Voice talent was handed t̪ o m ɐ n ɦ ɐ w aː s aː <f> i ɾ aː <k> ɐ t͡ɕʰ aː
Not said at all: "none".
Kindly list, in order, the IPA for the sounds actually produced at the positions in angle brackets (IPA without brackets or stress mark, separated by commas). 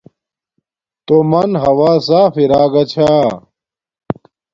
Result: f, ɡ